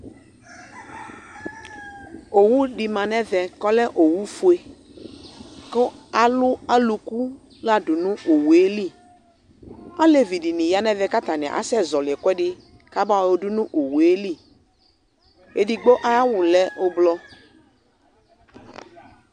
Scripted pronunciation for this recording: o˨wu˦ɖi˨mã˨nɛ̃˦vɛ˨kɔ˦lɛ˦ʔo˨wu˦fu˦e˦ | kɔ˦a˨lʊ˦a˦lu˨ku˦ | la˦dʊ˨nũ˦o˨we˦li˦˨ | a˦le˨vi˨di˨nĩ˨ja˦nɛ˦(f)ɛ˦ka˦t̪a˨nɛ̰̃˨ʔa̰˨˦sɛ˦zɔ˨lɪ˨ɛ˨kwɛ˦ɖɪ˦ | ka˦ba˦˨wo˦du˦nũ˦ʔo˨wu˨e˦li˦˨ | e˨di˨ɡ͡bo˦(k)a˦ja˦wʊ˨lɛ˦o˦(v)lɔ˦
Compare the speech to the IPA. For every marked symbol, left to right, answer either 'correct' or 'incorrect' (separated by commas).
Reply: incorrect, incorrect, incorrect